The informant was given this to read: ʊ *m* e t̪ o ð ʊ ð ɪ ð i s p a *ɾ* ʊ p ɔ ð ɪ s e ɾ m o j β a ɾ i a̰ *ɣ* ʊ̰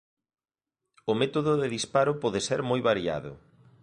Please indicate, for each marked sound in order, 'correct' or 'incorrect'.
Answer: correct, correct, incorrect: ð

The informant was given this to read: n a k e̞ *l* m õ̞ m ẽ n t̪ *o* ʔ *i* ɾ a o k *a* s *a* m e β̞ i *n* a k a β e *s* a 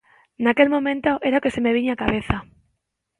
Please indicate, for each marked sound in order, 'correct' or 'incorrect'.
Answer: correct, correct, incorrect: e, incorrect: e, incorrect: e, incorrect: ɲ, incorrect: θ

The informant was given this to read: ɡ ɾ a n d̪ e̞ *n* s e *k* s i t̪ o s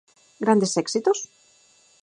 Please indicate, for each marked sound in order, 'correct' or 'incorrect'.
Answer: incorrect: none, correct

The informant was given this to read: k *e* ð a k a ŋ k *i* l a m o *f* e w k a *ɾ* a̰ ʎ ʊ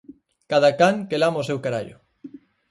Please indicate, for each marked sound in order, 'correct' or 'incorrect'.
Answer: incorrect: a, incorrect: e, incorrect: s, correct

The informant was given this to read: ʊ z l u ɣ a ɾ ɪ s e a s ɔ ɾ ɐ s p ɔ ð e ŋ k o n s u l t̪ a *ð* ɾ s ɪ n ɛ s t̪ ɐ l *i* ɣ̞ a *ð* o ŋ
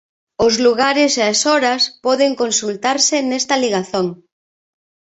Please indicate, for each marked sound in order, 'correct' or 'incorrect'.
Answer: incorrect: none, correct, incorrect: θ

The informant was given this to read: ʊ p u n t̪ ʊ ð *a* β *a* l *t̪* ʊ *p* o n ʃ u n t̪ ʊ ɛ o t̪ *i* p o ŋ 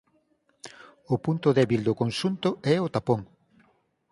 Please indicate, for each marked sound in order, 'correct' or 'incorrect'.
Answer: incorrect: ɛ, incorrect: i, incorrect: d̪, incorrect: k, incorrect: a

